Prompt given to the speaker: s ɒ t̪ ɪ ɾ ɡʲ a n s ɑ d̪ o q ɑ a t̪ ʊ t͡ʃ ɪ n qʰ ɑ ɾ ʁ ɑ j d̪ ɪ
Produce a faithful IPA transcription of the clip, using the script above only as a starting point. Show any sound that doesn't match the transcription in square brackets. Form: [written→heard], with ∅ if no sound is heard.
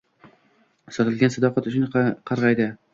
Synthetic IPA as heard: s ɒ t̪ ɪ [ɾ→l] ɡʲ a n s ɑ d̪ [o→ɒ] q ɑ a t̪ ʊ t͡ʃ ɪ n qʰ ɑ ɾ ʁ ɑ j d̪ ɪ

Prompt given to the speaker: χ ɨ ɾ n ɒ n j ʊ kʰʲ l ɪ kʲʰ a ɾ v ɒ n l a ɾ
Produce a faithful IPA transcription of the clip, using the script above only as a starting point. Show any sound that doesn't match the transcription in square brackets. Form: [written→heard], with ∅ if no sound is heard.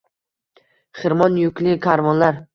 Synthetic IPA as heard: χ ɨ ɾ [n→m] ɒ n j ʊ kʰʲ l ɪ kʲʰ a ɾ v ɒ n l a ɾ

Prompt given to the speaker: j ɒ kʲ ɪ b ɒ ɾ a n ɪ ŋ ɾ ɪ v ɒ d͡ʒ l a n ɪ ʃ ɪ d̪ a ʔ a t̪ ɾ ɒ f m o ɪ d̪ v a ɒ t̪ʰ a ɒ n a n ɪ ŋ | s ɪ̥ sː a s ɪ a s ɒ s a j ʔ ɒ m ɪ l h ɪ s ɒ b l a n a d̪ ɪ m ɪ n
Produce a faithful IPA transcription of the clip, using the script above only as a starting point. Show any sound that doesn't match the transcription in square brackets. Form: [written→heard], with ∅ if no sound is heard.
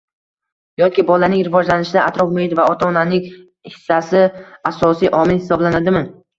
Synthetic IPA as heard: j ɒ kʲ ɪ b ɒ [ɾ→l] a n ɪ ŋ ɾ ɪ v ɒ d͡ʒ l a n ɪ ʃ ɪ d̪ a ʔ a t̪ ɾ ɒ f m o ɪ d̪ v a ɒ t̪ʰ a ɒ n a n ɪ ŋ | [s→h] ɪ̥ sː a s ɪ a s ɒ s [a→i] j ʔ ɒ m ɪ l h ɪ s ɒ b l a n a d̪ ɪ m ɪ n

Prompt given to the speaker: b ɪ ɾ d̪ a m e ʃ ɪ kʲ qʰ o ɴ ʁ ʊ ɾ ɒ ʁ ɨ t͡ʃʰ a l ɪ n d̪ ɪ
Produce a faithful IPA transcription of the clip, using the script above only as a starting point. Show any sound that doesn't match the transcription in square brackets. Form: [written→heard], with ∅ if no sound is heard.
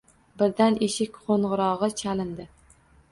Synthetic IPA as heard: b ɪ ɾ d̪ a [m→n] e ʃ ɪ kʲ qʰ o ɴ ʁ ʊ ɾ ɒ ʁ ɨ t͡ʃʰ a l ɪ n d̪ ɪ

